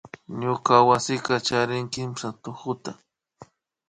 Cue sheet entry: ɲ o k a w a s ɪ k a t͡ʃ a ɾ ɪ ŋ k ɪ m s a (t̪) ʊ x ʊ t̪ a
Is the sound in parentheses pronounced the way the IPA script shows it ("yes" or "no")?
yes